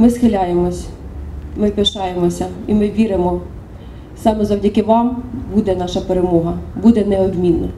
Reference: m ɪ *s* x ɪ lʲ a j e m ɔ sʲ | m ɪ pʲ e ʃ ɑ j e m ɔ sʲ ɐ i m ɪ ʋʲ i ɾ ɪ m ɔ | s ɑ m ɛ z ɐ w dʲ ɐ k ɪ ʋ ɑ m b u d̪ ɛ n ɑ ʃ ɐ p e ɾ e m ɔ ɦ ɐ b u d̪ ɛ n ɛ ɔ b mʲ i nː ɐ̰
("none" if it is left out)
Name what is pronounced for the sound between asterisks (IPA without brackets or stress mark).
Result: s